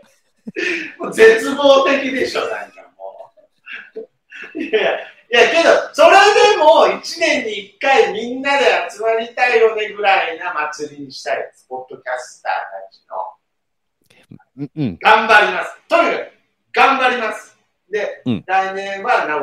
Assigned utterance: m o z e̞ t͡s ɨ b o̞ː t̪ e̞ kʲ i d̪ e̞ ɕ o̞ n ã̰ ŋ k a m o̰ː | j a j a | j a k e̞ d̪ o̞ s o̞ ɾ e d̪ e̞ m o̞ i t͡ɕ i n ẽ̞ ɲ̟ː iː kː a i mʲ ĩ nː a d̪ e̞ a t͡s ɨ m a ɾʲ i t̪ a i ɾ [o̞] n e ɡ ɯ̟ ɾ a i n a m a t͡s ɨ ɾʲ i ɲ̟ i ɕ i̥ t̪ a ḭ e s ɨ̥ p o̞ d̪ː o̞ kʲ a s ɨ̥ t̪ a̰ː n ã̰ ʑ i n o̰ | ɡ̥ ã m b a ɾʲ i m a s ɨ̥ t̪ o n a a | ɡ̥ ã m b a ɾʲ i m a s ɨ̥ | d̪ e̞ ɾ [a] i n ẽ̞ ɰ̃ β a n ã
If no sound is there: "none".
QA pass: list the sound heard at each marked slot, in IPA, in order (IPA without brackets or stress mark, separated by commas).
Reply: o̞, a